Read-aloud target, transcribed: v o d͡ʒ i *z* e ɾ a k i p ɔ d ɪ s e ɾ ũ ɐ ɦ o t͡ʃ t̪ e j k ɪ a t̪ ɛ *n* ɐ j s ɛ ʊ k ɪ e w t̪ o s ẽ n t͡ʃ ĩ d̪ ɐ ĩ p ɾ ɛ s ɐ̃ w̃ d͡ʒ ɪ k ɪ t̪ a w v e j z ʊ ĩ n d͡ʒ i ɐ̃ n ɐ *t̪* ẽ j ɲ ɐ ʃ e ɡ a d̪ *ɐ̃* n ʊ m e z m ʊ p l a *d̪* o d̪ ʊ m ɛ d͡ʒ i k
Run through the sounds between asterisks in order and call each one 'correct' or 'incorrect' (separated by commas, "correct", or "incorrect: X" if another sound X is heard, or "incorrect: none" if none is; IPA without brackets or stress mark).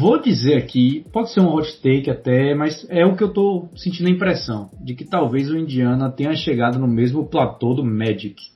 correct, incorrect: m, correct, incorrect: ɐ, incorrect: t̪